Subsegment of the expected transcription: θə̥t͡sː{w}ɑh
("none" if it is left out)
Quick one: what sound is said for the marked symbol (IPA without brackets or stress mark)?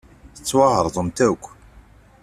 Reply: w